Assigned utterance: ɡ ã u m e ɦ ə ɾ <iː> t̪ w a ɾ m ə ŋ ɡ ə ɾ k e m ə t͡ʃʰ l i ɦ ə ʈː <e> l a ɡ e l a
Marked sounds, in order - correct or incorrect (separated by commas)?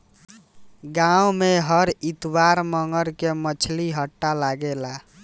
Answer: incorrect, incorrect